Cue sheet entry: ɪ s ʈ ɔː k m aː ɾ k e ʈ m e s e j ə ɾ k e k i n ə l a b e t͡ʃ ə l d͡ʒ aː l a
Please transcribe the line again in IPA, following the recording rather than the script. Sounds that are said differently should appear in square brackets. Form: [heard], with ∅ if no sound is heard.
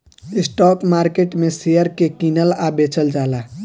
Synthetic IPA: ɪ s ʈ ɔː k m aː ɾ k e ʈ m e s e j ə ɾ k e k i n ə l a b e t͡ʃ ə l d͡ʒ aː l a

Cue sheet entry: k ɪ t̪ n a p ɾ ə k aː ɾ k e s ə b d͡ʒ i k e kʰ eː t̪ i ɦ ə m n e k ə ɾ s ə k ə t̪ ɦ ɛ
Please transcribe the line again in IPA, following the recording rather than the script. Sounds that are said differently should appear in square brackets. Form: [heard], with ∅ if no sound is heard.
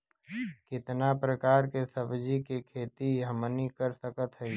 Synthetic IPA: k ɪ t̪ n a p ɾ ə k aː ɾ k e s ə b d͡ʒ i k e kʰ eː t̪ i ɦ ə m n [i] k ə ɾ s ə k ə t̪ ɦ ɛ

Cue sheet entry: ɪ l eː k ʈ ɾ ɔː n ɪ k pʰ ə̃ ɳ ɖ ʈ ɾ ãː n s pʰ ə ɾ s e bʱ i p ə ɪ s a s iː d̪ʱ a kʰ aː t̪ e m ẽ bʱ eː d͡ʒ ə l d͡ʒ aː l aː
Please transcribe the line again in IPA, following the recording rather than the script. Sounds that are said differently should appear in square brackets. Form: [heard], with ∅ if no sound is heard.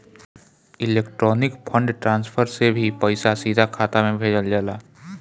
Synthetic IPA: ɪ l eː k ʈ ɾ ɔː n ɪ k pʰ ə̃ ɳ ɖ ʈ ɾ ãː n s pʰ ə ɾ s e bʱ i p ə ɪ s a s iː d̪ʱ a kʰ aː t̪ [a] m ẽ bʱ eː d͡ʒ ə l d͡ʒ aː l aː

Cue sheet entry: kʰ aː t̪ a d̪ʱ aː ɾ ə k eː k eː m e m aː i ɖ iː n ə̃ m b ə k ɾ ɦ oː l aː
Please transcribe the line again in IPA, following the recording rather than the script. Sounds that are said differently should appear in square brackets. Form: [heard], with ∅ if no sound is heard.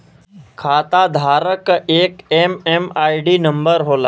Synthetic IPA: kʰ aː t̪ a d̪ʱ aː ɾ ə k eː k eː m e m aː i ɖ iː n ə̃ m b ə [∅] ɾ ɦ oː l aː

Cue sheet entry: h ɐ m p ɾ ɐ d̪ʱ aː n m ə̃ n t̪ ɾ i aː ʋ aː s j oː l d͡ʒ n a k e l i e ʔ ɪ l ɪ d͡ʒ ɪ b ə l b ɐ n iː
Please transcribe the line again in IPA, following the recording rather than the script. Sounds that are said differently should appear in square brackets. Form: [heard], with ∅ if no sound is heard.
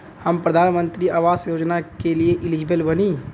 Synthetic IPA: h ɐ m p ɾ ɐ d̪ʱ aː n m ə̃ n t̪ ɾ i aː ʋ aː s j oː [∅] d͡ʒ n a k e l i e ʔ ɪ l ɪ d͡ʒ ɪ b ə l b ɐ n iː

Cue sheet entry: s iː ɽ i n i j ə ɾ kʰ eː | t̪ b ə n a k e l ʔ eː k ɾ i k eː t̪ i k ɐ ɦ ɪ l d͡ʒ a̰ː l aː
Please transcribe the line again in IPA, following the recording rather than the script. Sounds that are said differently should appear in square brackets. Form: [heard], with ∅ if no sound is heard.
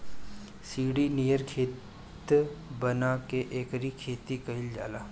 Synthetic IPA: s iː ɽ i n i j ə ɾ kʰ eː | t̪ b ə n a k e [∅] ʔ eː k ɾ i [kʰ] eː t̪ i k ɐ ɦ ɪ l d͡ʒ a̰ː l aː

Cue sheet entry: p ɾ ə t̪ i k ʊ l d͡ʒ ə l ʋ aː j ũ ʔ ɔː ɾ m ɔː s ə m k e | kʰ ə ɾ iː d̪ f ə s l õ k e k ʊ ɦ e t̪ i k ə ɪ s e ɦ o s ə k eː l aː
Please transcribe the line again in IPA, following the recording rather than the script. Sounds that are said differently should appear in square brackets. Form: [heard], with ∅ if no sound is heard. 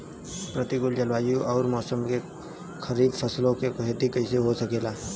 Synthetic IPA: p ɾ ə t̪ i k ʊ l d͡ʒ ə l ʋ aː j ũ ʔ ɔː ɾ m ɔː s ə m k e | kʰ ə ɾ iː d̪ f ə s l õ k e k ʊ ɦ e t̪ i k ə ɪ s e ɦ o s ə k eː l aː

